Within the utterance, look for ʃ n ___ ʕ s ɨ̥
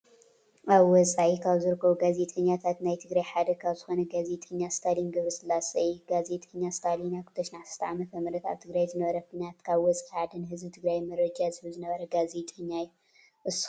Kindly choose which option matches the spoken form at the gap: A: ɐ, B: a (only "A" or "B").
B